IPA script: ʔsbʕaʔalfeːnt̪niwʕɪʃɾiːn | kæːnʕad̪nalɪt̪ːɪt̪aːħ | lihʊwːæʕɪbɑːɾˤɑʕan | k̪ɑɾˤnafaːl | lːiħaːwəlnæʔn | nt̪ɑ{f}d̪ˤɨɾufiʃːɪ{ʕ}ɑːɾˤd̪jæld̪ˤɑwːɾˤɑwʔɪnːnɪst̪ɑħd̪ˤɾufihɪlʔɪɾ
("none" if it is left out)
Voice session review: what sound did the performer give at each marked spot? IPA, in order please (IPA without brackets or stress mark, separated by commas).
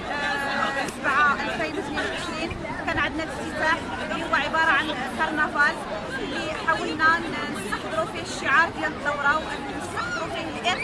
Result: ħ, ʕ